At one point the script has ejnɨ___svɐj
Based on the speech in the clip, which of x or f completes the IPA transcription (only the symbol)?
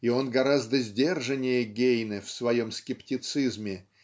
f